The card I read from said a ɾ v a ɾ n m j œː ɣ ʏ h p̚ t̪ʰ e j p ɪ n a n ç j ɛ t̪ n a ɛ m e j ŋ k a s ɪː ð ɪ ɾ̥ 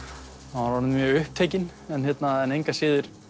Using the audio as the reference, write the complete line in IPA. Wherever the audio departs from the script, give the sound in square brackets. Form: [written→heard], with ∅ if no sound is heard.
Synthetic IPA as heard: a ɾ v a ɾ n m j œː ɣ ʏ h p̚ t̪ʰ e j [p→c] ɪ n [a→ɛ] n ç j ɛ t̪ n a ɛ [m→n] e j ŋ k a s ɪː ð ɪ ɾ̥